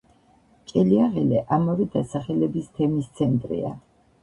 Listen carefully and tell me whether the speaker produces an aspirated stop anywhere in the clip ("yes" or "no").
yes